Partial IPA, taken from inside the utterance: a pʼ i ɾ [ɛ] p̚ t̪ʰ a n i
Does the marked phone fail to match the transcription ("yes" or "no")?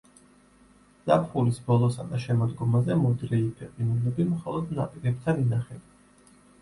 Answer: no